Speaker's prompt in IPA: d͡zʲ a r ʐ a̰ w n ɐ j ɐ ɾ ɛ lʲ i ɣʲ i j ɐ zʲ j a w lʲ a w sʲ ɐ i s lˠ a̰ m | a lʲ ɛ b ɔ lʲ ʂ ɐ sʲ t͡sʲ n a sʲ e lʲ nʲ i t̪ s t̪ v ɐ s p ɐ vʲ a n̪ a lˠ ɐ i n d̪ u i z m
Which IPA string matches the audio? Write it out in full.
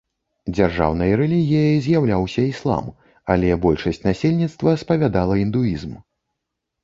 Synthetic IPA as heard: d͡zʲ a r ʐ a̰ w n ɐ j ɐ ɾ ɛ lʲ i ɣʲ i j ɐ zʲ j a w lʲ a w sʲ ɐ i s lˠ a̰ m | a lʲ ɛ b ɔ lʲ ʂ ɐ sʲ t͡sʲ n a sʲ e lʲ nʲ i t̪ s t̪ v ɐ s p ɐ vʲ a d̪ a lˠ ɐ i n d̪ u i z m